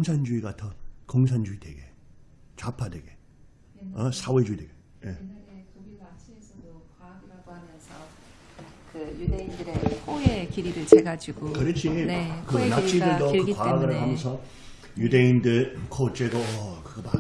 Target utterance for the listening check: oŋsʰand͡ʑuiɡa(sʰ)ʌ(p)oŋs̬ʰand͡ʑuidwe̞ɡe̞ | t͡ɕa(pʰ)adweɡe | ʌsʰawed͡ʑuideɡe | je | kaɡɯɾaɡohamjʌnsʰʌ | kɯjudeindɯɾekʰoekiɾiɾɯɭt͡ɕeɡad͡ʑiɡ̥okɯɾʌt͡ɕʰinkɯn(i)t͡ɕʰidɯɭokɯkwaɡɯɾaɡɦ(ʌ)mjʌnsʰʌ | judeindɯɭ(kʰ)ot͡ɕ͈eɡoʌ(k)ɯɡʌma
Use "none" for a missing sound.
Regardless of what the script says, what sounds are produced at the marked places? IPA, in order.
tʰ, k, pʰ, a, a, kʰ, k

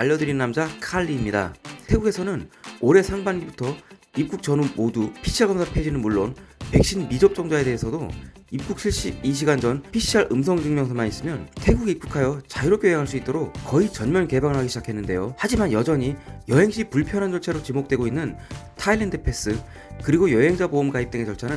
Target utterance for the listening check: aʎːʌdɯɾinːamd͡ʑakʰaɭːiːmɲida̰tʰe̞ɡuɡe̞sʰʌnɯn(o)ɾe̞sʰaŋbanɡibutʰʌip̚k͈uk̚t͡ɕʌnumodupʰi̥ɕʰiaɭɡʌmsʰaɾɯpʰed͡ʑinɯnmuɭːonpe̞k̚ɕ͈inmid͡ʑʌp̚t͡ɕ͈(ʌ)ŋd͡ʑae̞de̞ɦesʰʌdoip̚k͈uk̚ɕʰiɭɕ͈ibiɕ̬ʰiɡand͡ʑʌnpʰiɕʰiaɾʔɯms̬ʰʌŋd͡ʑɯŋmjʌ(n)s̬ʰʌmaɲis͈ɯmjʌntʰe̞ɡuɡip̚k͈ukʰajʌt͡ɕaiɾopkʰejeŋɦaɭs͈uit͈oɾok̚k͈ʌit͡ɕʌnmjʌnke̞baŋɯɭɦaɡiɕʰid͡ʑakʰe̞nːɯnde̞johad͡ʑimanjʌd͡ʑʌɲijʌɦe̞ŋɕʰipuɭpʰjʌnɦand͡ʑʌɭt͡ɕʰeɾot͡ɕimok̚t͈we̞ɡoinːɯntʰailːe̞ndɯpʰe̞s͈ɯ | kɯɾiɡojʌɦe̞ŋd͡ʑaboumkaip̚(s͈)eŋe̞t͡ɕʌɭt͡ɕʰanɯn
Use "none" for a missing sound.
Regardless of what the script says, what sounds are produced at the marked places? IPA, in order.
o, ʌ, ŋ, t͈

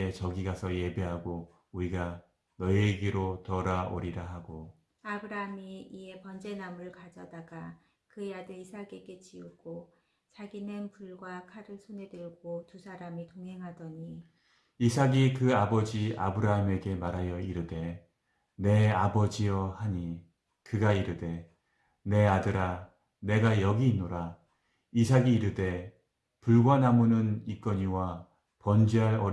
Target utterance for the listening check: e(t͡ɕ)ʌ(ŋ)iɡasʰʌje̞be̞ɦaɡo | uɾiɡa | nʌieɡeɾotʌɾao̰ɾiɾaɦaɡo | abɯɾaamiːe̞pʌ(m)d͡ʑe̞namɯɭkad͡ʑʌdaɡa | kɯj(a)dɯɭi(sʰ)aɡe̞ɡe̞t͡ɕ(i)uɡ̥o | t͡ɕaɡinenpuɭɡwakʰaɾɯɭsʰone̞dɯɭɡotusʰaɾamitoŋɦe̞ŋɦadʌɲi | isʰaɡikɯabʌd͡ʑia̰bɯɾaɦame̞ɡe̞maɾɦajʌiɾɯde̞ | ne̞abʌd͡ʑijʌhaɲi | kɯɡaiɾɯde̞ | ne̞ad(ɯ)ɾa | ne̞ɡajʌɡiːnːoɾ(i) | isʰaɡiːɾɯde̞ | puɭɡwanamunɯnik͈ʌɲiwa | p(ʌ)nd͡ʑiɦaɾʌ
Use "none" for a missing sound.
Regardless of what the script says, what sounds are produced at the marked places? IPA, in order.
t͡ɕ, ɡ, n, a, sʰ, i, ɯ, a, ʌ

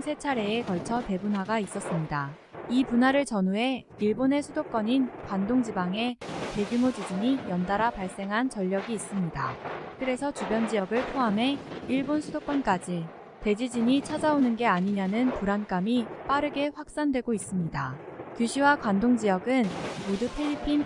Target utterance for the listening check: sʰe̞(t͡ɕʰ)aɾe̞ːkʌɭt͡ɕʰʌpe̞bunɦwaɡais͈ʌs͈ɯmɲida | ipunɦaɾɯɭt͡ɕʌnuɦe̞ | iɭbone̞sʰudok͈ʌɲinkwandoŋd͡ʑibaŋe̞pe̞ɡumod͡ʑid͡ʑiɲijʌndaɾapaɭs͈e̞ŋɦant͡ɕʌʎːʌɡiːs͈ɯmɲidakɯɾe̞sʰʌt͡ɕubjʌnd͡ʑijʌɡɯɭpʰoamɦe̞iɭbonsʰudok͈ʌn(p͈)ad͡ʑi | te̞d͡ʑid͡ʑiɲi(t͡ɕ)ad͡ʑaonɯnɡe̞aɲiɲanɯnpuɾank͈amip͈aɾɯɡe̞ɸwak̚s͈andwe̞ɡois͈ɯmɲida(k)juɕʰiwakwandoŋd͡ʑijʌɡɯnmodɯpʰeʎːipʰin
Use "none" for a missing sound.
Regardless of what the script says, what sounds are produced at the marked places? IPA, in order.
t͡ɕʰ, k͈, t͡ɕʰ, k

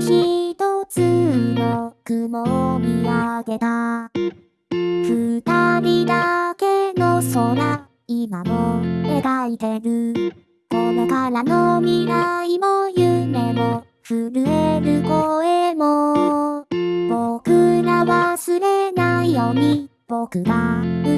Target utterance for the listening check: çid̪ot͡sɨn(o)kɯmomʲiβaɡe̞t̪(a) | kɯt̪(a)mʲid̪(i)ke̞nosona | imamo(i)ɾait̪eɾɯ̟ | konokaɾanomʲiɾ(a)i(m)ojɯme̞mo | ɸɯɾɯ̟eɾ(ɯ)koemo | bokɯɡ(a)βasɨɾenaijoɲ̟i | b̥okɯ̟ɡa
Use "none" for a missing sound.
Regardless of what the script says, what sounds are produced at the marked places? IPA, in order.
o, a, a, a, e, a, m, ɯ, a

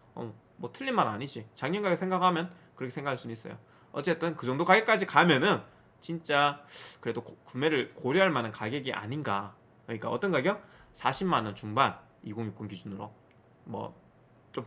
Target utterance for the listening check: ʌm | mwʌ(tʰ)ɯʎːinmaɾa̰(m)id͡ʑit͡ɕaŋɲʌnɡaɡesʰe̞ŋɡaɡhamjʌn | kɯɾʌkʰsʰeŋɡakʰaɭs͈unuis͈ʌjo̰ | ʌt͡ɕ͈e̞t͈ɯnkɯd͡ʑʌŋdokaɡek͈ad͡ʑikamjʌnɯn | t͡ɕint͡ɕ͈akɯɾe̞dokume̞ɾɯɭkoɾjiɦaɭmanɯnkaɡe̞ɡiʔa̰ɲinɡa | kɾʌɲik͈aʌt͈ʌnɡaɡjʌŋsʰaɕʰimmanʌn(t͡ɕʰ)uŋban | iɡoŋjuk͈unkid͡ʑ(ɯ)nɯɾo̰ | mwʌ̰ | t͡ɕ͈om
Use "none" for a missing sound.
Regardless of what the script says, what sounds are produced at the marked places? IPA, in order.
tʰ, ɲ, t͡ɕ, u

